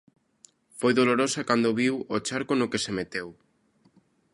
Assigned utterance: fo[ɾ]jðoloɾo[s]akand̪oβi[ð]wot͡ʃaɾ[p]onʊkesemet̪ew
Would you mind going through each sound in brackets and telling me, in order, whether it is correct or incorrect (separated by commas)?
incorrect, correct, incorrect, incorrect